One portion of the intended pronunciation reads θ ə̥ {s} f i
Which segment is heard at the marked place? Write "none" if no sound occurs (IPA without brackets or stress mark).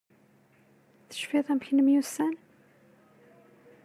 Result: ʃ